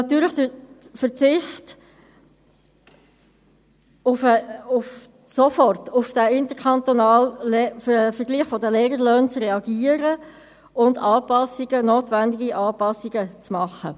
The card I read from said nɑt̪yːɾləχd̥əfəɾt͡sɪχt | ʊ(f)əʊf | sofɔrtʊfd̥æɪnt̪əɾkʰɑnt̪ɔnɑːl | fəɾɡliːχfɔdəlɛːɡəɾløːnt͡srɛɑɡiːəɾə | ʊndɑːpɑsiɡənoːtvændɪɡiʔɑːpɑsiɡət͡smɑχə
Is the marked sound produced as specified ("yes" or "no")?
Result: yes